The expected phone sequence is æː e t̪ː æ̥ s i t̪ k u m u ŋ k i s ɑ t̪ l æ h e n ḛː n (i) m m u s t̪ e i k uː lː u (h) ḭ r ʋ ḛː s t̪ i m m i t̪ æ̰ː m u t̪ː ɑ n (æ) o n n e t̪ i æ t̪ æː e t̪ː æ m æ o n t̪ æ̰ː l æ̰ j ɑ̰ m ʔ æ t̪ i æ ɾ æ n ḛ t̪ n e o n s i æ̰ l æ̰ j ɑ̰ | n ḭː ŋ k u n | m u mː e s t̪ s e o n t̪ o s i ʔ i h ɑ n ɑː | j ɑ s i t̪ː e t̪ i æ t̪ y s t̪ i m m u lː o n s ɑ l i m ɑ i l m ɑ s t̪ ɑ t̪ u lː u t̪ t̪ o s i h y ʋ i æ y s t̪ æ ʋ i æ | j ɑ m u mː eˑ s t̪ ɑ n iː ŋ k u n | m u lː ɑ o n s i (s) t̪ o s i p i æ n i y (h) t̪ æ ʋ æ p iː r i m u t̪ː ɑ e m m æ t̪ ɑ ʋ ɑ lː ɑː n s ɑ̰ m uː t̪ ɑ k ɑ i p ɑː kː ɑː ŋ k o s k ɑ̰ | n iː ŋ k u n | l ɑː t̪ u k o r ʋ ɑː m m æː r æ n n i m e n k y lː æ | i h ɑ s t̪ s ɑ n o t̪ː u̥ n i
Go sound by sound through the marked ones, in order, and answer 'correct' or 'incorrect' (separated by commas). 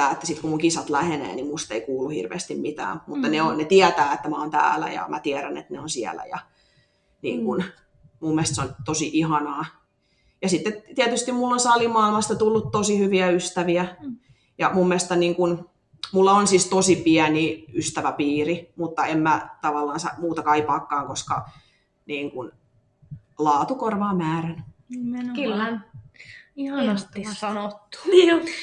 correct, correct, incorrect, correct, incorrect